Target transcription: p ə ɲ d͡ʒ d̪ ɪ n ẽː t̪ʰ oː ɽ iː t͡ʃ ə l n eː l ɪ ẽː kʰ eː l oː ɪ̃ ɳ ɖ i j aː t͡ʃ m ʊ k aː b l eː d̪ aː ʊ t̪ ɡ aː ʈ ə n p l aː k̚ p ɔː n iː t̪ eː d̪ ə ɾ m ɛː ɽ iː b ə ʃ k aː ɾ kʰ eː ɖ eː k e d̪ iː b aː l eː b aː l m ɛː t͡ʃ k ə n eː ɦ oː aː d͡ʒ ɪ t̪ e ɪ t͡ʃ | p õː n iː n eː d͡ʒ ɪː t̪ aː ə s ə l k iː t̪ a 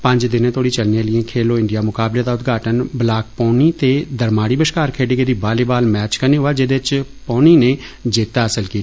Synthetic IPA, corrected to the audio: p ə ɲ d͡ʒ d̪ ɪ n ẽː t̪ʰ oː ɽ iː t͡ʃ ə l n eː l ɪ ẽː kʰ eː l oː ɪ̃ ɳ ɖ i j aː m ʊ k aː b l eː d̪ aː ʊ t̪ ɡ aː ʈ ə n b l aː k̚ p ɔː n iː t̪ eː d̪ ə ɾ m aː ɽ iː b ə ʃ k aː ɾ kʰ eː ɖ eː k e d̪ iː b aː l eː b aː l m ɛː t͡ʃ k ə n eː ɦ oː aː d͡ʒ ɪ d̪ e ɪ t͡ʃ | p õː n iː n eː d͡ʒ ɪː t̪ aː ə s ə l k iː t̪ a

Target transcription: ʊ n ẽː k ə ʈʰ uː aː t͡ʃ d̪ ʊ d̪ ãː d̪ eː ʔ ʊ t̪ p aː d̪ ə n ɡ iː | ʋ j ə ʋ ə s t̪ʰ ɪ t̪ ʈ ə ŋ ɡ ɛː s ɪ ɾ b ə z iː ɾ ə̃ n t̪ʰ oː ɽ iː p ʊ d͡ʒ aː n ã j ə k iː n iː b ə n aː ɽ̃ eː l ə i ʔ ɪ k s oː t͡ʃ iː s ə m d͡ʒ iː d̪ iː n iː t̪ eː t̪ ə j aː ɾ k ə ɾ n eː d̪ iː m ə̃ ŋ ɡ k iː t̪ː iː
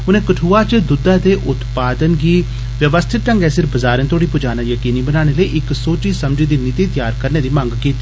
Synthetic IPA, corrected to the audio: ʊ n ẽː k ə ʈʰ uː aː t͡ʃ d̪ ʊ d̪ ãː d̪ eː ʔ ʊ t̪ p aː d̪ ə n ɡ iː | ʋ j ə ʋ ə s t̪ʰ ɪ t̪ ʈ ə ŋ ɡ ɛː s ɪ ɾ b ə z aː ɾ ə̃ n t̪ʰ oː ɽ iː p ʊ d͡ʒ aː n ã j ə k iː n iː b ə n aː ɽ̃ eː l ə i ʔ ɪ k s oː t͡ʃ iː s ə m d͡ʒ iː d̪ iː n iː t̪ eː t̪ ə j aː ɾ k ə ɾ n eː d̪ iː m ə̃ ŋ ɡ k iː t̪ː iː

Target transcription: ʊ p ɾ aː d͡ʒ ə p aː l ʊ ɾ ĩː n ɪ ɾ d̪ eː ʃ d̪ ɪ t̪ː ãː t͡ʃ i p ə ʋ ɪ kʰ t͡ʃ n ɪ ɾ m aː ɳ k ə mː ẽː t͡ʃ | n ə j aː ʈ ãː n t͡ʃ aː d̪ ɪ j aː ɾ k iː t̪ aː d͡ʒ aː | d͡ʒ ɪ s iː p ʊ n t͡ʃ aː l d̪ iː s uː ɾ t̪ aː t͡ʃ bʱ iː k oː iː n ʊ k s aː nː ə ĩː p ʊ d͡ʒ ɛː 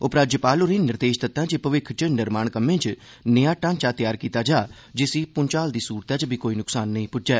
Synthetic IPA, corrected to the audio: ʊ p ɾ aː d͡ʒ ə p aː l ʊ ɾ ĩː n ɪ ɾ d̪ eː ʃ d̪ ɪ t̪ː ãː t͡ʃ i p ə ʋ ɪ kʰ t͡ʃ n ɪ ɾ m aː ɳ k ə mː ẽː t͡ʃ | n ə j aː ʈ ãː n t͡ʃ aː t̪ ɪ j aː ɾ k iː t̪ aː d͡ʒ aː | d͡ʒ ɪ s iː p ʊ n t͡ʃ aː l d̪ iː s uː ɾ t̪ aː t͡ʃ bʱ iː k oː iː n ʊ k s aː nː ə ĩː p ʊ d͡ʒ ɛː

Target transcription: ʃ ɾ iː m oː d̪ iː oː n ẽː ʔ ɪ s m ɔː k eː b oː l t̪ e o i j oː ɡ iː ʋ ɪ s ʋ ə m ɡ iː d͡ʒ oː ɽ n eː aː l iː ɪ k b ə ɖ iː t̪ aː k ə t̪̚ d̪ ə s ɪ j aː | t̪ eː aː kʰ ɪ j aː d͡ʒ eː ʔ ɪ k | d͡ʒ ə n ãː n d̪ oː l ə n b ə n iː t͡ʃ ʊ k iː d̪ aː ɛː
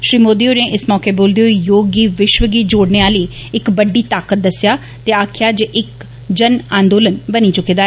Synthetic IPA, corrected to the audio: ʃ ɾ iː m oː d̪ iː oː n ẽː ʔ ɪ s m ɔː k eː b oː l d̪ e o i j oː ɡ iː ʋ ɪ ʃ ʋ ə ɡ iː d͡ʒ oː ɽ n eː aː l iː ɪ k b ə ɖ iː t̪ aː k ə t̪̚ d̪ ə s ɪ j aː | t̪ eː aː kʰ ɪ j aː d͡ʒ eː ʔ ɪ k | d͡ʒ ə n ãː n d̪ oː l ə n b ə n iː t͡ʃ ʊ k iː d̪ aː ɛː

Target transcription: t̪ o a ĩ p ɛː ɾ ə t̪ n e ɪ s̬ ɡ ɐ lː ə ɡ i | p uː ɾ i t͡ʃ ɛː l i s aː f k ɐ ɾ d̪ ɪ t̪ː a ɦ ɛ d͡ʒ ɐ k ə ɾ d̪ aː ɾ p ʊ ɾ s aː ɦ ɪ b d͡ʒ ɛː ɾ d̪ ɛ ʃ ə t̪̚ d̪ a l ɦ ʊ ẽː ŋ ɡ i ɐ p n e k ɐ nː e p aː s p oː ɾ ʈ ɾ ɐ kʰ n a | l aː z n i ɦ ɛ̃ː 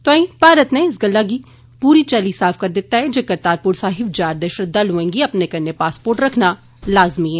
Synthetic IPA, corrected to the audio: t̪ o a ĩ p aː ɾ ə t̪ n e ɪ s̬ ɡ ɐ lː a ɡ i | p uː ɾ i t͡ʃ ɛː l i s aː f k ɐ ɾ d̪ ɪ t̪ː a ɦ ɛ d͡ʒ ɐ k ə ɾ t̪ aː ɾ p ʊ ɾ s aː ɦ ɪ b d͡ʒ aː ɾ d̪ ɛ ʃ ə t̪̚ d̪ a l ɦ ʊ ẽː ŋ ɡ i ɐ p n e k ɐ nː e p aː s p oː ɾ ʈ ɾ ɐ kʰ n a | l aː z m i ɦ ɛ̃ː

